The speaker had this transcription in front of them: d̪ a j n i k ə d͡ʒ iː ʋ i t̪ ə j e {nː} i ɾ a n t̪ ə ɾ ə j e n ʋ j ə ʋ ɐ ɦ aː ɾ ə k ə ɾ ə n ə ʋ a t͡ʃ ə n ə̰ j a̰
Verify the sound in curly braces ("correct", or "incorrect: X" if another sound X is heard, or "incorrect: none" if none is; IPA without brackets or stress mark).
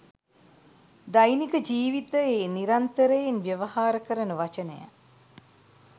incorrect: n